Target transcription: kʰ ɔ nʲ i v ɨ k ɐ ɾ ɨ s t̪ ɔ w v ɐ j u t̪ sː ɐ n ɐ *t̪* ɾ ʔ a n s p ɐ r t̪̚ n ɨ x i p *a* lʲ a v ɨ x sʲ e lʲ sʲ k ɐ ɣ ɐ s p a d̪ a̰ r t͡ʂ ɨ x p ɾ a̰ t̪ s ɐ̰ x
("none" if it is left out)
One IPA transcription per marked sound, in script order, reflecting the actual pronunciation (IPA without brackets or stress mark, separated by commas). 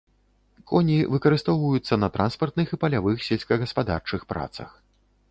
t̪, ɐ